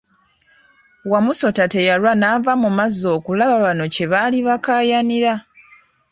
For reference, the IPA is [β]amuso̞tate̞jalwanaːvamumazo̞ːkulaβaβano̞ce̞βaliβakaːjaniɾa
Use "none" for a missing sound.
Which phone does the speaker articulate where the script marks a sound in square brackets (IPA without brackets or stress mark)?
w